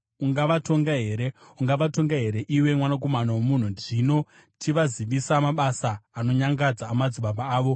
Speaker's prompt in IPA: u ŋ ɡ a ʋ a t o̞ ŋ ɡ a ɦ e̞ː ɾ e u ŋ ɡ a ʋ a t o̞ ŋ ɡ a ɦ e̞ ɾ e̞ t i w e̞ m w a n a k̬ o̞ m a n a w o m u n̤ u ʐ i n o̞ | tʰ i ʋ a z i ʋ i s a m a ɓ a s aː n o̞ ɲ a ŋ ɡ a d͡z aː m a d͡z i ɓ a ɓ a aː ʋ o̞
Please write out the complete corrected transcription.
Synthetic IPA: u ŋ ɡ a ʋ a t o̞ ŋ ɡ a ɦ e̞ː ɾ e u ŋ ɡ a ʋ a t o̞ ŋ ɡ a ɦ e̞ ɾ e̞ ʔ i w e̞ m w a n a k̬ o̞ m a n a w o m u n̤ u ʐ i n o̞ | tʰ i ʋ a z i ʋ i s a m a ɓ a s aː n o̞ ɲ a ŋ ɡ a d͡z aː m a d͡z i ɓ a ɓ a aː ʋ o̞